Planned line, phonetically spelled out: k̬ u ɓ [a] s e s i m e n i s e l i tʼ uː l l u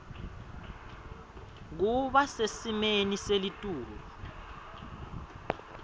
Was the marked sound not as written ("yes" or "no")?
no